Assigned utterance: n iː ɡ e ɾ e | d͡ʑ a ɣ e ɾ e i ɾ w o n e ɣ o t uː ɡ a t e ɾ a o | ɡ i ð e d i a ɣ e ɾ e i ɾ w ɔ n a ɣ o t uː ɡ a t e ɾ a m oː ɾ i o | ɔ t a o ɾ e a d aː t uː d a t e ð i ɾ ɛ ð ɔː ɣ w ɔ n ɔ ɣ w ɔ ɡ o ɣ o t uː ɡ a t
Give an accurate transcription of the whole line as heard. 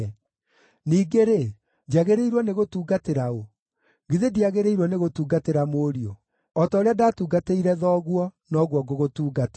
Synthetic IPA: n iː ɡ e ɾ e | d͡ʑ a ɣ e ɾ e i ɾ w ɔ n e ɣ o t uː ɡ a t e ɾ a o | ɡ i ð e d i a ɣ e ɾ e i ɾ w ɔ n e ɣ o t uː ɡ a t e ɾ a m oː ɾ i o | ɔ t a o ɾ e a d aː t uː ɡ a t e i ɾ ɛ ð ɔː ɣ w ɔ n ɔ ɣ w ɔ ɡ o ɣ o t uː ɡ a t